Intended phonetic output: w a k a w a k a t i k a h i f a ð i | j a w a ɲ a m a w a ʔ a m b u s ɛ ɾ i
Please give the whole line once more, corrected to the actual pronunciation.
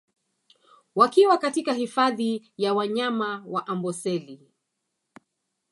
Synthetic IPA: w a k i w a k a t i k a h i f a ð i | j a w a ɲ a m a w a ʔ a m b ɔ s ɛ l i